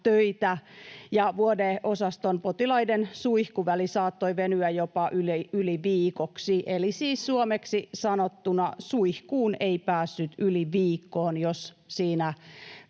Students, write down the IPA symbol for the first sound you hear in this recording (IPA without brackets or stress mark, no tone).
t̪